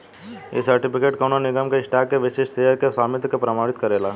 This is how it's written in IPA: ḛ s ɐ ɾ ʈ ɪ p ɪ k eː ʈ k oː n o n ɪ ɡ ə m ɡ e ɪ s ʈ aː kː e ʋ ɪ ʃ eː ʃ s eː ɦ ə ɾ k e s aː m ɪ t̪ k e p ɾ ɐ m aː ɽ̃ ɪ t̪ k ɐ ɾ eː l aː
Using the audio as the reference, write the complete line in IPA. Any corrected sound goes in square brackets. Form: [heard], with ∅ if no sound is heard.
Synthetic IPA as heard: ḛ s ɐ ɾ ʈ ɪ p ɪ k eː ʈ k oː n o n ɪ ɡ ə m [k] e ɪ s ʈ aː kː e ʋ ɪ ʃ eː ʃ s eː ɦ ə ɾ k e s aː m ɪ t̪ k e p ɾ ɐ m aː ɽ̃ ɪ t̪ k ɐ ɾ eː l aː